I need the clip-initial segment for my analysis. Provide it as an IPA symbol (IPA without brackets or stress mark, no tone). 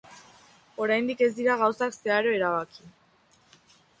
o̞